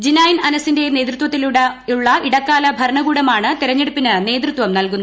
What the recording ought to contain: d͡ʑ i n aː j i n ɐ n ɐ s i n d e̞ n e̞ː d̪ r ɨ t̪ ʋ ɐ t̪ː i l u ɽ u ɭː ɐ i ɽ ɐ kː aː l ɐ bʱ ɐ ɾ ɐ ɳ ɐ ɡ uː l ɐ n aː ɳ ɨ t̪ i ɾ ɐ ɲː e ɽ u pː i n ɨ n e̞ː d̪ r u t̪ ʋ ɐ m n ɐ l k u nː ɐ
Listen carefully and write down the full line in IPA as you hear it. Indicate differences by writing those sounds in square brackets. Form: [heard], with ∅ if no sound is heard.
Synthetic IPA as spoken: d͡ʑ i n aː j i n ɐ n ɐ s i n d e̞ n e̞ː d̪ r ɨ t̪ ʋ ɐ t̪ː i l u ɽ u ɭː ɐ i ɽ ɐ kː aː l ɐ bʱ ɐ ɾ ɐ ɳ ɐ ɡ uː [ɽ] ɐ [m] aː ɳ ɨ t̪ i ɾ ɐ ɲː e ɽ u pː i n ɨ n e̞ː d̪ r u t̪ ʋ ɐ m n ɐ l k u nː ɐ